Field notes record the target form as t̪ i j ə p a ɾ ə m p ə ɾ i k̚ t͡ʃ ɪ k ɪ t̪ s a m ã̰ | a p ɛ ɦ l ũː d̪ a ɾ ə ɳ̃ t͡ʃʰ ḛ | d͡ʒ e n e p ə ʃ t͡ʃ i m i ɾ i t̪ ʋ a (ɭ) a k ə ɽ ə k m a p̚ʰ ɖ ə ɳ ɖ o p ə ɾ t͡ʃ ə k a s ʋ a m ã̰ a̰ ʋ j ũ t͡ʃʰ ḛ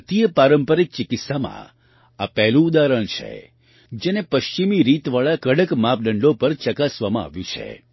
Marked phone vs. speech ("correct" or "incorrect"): correct